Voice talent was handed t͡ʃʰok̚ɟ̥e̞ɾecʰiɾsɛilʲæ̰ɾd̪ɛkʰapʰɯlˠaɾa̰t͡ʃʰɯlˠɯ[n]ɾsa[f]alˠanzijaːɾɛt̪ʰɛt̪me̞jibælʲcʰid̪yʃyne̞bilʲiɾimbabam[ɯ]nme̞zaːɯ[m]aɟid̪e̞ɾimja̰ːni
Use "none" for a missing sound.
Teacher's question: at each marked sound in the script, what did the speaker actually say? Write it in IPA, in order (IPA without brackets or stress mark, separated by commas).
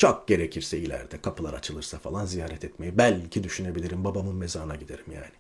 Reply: none, f, ɯ, n